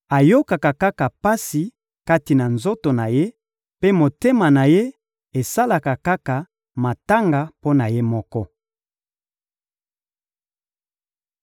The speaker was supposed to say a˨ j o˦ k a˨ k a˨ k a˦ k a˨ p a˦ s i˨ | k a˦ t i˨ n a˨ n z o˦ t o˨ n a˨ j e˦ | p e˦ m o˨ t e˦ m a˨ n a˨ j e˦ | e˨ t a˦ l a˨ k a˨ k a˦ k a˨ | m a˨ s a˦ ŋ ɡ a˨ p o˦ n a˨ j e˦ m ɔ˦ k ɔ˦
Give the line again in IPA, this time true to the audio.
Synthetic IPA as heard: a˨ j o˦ k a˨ k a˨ k a˦ k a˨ p a˦ s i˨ | k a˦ t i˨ n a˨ n z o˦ t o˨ n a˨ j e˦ | p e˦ m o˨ t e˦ m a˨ n a˨ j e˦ | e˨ s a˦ l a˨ k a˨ k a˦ k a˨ | m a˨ t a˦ ŋ ɡ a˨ p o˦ n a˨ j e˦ m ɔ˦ k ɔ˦